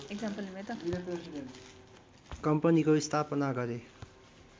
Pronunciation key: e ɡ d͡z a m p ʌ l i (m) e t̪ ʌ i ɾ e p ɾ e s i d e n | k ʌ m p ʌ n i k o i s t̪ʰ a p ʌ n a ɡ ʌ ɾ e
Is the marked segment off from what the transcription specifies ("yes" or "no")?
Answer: no